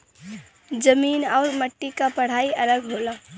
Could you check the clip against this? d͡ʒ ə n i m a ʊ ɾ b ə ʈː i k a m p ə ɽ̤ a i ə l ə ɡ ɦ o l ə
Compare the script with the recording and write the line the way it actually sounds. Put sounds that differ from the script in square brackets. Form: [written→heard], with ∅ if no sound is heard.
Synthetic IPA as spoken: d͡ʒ ə [n→m] i [m→n] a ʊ ɾ [b→m] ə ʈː i k a [m→∅] p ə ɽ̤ a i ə l ə ɡ ɦ o l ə